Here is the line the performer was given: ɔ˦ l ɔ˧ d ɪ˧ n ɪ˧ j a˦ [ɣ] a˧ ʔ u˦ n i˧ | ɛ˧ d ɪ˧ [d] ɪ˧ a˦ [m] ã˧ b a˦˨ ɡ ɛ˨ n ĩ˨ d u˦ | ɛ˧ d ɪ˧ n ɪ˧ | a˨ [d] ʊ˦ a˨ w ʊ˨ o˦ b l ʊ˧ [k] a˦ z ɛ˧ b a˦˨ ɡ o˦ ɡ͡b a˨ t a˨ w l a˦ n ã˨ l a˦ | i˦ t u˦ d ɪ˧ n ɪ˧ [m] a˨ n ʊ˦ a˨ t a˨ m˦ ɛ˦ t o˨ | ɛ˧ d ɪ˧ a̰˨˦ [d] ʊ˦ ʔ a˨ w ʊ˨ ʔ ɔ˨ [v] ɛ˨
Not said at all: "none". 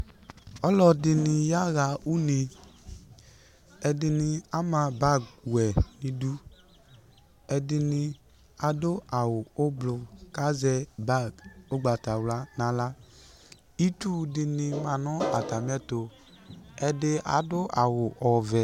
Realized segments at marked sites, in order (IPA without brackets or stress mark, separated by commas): ɣ, n, m, d, k, m, d, v